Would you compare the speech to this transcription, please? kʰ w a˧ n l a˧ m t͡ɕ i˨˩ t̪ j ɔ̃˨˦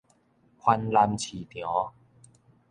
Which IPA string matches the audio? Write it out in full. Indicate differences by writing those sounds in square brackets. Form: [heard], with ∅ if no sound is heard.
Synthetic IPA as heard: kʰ w a˧ n l a˧ m [t͡ɕʰ] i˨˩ t̪ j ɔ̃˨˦

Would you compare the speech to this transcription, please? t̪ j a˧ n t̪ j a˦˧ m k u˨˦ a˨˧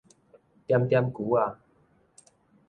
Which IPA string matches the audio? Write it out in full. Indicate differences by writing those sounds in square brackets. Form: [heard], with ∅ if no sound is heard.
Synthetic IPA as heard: t̪ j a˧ [m] t̪ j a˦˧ m k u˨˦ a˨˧

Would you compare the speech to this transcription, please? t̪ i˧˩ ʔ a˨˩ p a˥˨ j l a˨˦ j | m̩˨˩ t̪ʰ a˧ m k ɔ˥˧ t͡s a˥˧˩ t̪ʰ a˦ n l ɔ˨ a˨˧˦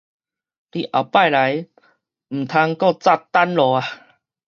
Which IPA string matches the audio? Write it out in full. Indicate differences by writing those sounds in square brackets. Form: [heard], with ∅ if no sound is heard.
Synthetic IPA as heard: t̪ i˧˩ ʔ a˨˩ p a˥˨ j l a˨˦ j | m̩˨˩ t̪ʰ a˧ [ŋ] k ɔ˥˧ t͡s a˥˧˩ [t̪] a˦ n l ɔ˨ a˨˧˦

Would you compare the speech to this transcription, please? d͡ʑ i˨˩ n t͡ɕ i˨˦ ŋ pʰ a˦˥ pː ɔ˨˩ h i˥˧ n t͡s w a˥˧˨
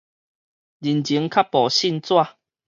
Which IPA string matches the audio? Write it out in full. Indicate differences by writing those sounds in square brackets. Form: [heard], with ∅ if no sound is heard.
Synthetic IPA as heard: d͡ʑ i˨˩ n t͡ɕ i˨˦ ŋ [kʰ] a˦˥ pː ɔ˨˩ [ɕ] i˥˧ n t͡s w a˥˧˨

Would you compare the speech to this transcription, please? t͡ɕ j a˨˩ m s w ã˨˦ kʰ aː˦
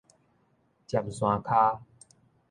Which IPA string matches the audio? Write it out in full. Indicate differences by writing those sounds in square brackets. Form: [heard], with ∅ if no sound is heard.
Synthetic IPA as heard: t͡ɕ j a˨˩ m s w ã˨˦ kʰ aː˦

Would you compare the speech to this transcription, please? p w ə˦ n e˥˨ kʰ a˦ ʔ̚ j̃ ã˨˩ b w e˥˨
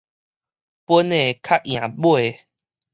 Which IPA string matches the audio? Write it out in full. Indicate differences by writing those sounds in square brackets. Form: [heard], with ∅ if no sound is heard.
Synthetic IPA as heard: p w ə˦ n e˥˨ kʰ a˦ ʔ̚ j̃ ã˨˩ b w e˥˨

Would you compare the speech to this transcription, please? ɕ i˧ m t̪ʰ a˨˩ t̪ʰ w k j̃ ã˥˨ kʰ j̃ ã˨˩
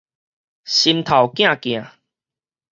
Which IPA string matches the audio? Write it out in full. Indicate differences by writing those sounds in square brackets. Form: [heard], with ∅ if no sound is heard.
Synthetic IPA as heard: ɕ i˧ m t̪ʰ a˨˩ [∅] w k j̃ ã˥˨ [k] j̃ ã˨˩

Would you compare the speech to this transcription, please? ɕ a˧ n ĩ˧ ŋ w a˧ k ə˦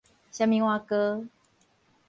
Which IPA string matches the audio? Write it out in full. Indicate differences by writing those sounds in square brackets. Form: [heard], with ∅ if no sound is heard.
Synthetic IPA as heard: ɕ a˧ [m] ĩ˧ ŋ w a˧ k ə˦

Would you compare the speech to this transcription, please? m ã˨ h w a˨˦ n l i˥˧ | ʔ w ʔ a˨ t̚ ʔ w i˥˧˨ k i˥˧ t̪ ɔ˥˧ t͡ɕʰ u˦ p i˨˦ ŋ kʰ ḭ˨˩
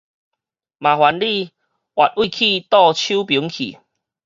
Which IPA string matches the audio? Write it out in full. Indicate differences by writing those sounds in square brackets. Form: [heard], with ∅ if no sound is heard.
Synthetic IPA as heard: m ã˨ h w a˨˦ n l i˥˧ | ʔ w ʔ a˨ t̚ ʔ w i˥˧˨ [kʰ] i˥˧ t̪ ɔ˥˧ t͡ɕʰ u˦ p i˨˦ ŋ kʰ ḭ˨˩

